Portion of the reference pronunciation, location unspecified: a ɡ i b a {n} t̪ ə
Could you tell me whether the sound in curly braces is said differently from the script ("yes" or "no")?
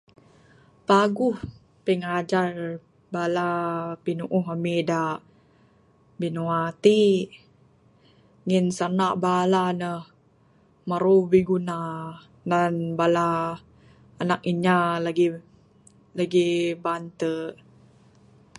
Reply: no